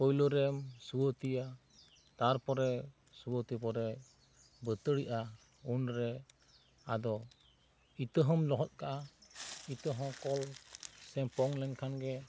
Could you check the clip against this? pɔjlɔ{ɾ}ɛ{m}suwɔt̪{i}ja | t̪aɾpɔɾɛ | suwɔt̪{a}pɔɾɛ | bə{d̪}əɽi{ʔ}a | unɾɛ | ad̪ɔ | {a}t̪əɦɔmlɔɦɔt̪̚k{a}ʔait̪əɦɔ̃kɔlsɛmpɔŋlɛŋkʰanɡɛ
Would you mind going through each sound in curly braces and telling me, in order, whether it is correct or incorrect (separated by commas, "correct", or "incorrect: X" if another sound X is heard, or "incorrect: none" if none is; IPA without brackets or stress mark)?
correct, correct, correct, incorrect: i, incorrect: t̪, correct, incorrect: i, correct